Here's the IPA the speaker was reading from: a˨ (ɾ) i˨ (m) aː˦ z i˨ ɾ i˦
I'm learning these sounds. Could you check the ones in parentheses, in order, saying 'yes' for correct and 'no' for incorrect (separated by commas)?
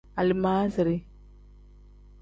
no, yes